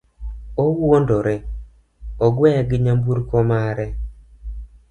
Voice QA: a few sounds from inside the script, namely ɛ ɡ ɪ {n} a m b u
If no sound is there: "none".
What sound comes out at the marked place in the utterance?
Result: ɲ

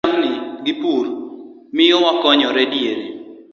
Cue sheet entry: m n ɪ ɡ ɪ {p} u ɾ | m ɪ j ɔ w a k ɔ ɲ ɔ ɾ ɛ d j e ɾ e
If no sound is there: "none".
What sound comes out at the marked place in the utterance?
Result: p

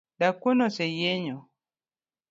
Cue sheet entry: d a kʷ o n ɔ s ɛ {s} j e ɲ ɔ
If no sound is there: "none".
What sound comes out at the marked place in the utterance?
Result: none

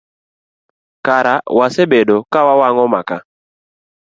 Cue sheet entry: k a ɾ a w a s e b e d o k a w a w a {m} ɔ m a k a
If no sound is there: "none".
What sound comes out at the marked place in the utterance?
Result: ŋ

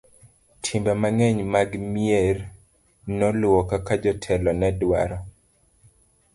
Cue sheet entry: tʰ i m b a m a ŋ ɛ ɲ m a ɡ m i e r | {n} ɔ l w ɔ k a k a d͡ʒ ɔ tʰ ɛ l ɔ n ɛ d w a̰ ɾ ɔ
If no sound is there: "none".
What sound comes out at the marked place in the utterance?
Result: n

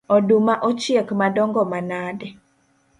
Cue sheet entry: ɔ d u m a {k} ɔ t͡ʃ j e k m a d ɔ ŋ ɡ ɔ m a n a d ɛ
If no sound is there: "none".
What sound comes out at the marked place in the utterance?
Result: ʔ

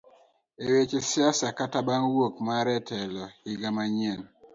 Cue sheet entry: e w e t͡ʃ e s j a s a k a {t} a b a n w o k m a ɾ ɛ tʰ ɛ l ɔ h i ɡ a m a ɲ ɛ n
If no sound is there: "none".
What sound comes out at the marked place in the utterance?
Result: t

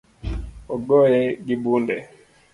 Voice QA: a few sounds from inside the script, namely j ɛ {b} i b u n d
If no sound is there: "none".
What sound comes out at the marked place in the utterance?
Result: ɡ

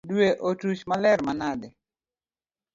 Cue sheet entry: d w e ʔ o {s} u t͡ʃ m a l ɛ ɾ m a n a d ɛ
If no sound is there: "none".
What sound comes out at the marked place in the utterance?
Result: t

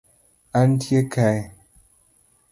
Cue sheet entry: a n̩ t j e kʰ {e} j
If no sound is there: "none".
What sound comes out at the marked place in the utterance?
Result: a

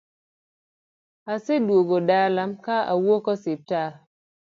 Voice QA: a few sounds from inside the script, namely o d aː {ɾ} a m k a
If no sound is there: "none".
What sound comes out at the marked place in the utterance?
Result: l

